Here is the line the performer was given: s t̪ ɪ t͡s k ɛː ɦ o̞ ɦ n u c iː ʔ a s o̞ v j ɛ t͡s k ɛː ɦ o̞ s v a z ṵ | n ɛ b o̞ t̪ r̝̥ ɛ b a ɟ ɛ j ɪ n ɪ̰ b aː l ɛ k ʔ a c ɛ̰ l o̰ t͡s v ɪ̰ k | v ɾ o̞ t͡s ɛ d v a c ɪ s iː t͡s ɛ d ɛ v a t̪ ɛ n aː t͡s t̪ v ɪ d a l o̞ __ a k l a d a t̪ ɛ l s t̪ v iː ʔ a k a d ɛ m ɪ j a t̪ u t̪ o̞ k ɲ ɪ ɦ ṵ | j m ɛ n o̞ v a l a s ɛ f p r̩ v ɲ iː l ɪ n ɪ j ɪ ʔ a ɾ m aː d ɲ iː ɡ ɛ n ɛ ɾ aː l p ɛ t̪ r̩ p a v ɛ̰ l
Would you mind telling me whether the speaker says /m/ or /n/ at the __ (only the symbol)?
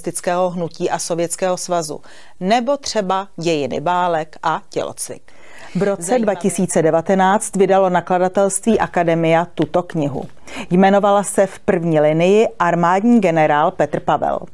n